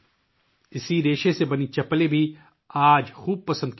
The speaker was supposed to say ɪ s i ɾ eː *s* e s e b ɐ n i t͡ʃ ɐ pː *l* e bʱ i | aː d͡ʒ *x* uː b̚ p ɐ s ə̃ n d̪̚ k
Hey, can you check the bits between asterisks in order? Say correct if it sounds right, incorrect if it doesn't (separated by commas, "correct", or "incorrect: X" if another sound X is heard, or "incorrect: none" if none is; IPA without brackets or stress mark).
incorrect: ʃ, correct, correct